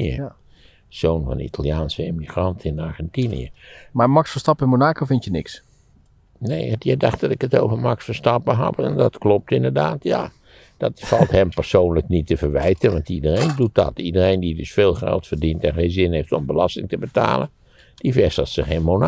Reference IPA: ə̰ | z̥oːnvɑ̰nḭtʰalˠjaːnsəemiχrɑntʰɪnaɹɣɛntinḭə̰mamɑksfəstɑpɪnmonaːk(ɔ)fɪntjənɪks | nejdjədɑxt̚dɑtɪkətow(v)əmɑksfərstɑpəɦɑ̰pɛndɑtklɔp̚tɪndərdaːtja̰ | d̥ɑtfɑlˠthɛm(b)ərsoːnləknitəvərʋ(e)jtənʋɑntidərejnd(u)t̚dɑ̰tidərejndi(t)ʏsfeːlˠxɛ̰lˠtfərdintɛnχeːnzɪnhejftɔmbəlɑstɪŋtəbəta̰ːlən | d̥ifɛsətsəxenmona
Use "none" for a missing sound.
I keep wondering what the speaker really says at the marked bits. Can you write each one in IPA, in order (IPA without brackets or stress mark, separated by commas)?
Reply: o, v, p, ɛ, u, d